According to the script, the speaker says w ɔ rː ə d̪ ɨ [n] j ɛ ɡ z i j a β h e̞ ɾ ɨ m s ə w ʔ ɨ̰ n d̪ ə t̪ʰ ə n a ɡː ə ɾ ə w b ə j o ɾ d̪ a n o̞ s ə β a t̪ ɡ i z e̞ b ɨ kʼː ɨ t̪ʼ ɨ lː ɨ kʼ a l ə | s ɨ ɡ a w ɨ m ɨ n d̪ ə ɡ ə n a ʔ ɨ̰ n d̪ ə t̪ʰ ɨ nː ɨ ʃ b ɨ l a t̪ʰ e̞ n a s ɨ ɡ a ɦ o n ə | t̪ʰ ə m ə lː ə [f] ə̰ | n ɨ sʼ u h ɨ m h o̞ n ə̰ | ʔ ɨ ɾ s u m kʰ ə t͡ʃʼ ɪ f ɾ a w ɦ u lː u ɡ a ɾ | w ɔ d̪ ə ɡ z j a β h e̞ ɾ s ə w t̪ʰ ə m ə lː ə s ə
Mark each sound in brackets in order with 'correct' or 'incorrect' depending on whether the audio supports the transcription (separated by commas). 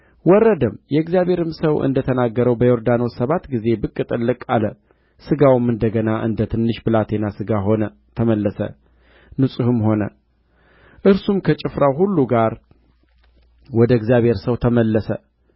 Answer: incorrect, incorrect